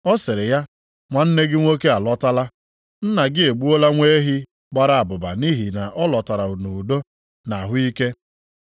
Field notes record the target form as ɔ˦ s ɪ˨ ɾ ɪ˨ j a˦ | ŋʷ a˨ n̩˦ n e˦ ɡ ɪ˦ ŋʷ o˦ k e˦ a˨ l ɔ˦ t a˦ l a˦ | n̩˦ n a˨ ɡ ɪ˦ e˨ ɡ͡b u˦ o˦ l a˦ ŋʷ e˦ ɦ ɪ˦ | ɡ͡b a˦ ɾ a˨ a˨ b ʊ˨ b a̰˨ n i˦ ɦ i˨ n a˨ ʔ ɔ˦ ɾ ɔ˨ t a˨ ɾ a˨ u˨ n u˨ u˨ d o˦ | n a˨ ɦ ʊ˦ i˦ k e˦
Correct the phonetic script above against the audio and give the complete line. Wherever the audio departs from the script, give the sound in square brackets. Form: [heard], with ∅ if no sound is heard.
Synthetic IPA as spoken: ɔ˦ s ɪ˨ ɾ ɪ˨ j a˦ | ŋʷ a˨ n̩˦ n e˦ ɡ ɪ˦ ŋʷ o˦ k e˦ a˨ l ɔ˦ t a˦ l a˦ | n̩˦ n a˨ ɡ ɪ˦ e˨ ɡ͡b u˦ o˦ l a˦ ŋʷ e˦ ɦ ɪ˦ | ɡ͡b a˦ ɾ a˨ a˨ b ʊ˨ b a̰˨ n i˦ ɦ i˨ n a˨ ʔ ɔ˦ [l] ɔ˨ t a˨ ɾ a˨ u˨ n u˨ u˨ d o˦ | n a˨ ɦ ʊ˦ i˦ k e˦